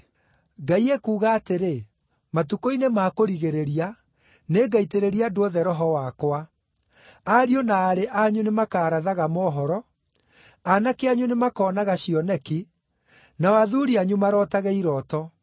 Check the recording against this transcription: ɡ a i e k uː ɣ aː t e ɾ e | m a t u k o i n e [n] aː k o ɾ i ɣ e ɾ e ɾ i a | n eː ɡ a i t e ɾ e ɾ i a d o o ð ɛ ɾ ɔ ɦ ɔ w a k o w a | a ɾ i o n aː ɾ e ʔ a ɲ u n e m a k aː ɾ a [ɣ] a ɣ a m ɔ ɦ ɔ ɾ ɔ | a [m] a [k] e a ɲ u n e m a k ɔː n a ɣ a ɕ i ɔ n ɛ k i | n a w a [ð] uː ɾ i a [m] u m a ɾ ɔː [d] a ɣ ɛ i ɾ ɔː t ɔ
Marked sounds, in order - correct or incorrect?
incorrect, incorrect, incorrect, correct, correct, incorrect, incorrect

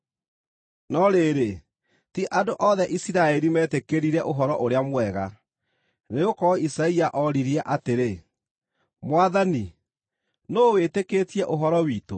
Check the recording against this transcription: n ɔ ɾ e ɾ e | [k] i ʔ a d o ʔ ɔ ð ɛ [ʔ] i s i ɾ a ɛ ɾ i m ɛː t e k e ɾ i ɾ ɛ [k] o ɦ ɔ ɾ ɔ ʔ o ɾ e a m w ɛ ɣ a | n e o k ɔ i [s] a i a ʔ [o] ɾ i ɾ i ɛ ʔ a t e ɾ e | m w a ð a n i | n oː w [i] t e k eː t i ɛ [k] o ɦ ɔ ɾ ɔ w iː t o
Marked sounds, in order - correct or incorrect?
incorrect, correct, incorrect, correct, incorrect, incorrect, incorrect

